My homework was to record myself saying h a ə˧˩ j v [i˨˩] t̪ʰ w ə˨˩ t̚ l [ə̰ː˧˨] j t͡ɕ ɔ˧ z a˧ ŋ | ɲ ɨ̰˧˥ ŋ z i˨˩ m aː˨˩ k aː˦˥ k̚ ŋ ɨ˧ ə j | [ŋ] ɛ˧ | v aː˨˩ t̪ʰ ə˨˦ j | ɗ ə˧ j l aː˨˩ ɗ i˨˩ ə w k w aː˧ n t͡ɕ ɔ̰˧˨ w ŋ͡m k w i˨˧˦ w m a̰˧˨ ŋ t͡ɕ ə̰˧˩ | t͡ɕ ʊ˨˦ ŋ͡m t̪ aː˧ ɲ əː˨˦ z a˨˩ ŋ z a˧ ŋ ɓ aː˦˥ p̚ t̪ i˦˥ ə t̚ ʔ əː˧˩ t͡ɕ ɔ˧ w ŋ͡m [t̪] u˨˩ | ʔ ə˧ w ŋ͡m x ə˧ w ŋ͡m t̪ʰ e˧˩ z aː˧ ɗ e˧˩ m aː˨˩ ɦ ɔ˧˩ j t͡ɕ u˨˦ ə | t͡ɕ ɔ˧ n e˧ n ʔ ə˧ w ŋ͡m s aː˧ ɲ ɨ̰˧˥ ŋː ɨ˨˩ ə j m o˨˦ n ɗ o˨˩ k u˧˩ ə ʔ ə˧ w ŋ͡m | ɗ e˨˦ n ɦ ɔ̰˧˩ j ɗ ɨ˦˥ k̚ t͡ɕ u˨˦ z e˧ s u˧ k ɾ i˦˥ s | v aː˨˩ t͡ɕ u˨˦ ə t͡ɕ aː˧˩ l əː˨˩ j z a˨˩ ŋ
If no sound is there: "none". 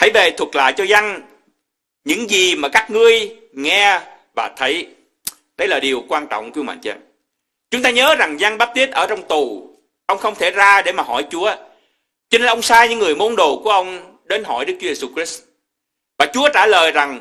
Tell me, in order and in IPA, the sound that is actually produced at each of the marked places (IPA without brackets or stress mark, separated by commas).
e˨˩, a̰ː˧˨, ŋ, t̪